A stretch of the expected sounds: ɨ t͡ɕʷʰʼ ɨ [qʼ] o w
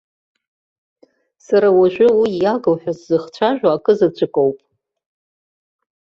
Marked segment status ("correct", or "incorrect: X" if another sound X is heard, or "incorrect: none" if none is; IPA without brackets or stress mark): incorrect: kʼ